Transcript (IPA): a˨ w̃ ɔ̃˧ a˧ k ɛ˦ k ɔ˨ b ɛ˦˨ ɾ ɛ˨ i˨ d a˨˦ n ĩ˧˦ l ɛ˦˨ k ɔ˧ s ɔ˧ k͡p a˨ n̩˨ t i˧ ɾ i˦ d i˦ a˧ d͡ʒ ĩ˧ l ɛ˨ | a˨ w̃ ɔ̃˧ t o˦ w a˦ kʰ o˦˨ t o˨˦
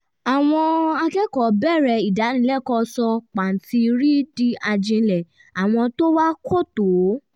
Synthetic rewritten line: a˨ w̃ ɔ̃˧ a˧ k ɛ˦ k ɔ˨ b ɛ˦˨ ɾ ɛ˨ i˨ d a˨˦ n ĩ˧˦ l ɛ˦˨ k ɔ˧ s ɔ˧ k͡p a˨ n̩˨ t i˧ ɾ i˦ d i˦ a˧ d͡ʒ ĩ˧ l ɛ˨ | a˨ w̃ ɔ̃˧ t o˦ w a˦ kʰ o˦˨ t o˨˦